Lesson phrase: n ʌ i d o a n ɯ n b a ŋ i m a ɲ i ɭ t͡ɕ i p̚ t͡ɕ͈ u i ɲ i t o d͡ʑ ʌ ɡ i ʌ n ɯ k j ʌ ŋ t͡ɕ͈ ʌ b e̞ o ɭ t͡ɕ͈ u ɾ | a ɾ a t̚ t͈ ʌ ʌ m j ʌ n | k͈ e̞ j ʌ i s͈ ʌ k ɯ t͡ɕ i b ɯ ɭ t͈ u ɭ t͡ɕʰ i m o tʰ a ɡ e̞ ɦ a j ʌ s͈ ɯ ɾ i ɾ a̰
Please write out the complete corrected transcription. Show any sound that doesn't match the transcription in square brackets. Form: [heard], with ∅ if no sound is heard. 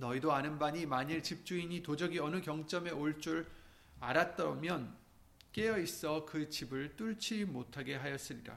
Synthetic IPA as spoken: n ʌ i d o a n ɯ n b a [ɲ] i m a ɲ i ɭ t͡ɕ i p̚ t͡ɕ͈ u i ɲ i t o d͡ʑ ʌ ɡ i ʌ n ɯ k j ʌ ŋ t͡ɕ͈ ʌ [m] e̞ o ɭ t͡ɕ͈ u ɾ | a ɾ a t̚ t͈ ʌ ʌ m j ʌ n | k͈ e̞ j ʌ i s͈ ʌ k ɯ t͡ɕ i b ɯ ɭ t͈ u ɭ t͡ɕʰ i m o tʰ a ɡ e̞ ɦ a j ʌ s͈ ɯ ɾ i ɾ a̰